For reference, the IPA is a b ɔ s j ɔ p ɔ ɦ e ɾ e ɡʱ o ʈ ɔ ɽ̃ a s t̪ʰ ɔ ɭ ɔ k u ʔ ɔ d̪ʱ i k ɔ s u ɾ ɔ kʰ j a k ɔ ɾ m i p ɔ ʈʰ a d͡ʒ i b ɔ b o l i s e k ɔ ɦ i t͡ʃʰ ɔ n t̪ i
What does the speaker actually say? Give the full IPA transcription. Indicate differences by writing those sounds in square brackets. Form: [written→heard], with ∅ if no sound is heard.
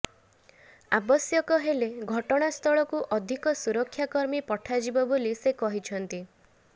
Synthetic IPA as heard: a b ɔ s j ɔ [p→k] ɔ ɦ e [ɾ→l] e ɡʱ [o→ɔ] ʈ ɔ ɽ̃ a s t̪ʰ ɔ ɭ ɔ k u ʔ ɔ d̪ʱ i k ɔ s u ɾ ɔ kʰ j a k ɔ ɾ m i p ɔ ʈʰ a d͡ʒ i b ɔ b o l i s e k ɔ ɦ i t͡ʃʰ ɔ n t̪ i